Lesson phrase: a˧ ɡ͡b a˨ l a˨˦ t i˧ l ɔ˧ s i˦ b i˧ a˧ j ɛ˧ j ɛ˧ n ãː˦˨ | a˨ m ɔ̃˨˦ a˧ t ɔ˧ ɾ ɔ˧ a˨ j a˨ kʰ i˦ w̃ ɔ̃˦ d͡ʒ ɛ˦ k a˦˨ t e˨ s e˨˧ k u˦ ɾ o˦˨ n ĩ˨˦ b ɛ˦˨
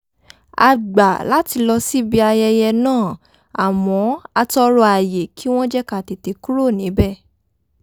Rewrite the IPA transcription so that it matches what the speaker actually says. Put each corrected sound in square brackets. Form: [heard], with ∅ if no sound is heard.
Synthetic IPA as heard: a˧ ɡ͡b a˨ l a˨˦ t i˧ l ɔ˧ s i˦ b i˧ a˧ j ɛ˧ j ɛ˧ n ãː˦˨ | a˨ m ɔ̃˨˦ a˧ t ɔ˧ ɾ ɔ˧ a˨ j [e˨] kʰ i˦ w̃ ɔ̃˦ d͡ʒ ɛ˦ k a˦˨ t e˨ [t] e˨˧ k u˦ ɾ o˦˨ n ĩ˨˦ b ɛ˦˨